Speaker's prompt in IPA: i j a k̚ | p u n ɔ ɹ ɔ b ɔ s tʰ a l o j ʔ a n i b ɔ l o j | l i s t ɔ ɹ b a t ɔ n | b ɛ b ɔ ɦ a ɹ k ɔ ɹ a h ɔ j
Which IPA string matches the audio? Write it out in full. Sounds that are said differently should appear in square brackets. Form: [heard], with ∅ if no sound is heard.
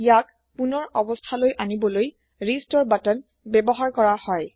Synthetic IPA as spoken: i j a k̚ | p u n ɔ ɹ ɔ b ɔ s tʰ a l o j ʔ a n i b ɔ l o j | [ɹ] i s t ɔ ɹ b a t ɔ n | b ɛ b ɔ ɦ a ɹ k ɔ ɹ a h ɔ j